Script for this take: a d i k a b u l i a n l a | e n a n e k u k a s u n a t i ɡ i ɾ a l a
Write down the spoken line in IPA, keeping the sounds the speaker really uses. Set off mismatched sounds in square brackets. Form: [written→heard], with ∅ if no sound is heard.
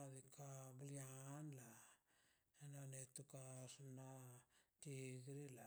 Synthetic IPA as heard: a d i k a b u l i a n l a | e n a n e [k→t] u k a s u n a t i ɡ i ɾ [a→i] l a